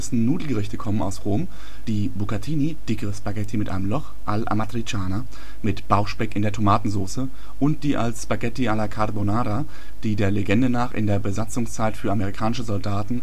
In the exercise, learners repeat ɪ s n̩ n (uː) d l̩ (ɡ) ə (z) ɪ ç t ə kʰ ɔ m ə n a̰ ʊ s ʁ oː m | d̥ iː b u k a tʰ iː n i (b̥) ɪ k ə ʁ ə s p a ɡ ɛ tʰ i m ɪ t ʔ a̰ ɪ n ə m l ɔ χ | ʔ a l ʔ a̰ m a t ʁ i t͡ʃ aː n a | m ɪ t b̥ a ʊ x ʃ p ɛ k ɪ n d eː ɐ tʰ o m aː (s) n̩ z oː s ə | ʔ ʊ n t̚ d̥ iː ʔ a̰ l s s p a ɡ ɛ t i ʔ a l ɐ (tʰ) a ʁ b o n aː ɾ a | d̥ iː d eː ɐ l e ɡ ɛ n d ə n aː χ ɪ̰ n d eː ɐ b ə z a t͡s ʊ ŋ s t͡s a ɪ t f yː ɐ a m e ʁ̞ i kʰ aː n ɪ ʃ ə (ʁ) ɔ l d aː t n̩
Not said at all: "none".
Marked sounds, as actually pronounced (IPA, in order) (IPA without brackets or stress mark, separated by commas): uː, ɡ, ʁ, d̥, t, kʰ, z